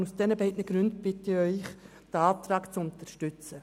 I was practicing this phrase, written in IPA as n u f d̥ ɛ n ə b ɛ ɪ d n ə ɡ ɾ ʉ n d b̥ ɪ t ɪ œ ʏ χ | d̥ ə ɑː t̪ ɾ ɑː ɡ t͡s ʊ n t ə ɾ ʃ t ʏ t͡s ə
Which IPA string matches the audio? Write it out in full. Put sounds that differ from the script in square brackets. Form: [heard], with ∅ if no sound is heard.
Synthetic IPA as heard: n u [s] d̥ ɛ n ə b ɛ ɪ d n ə ɡ ɾ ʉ n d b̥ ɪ t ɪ œ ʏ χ | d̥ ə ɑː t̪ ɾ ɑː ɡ t͡s ʊ n t ə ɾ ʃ t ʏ t͡s ə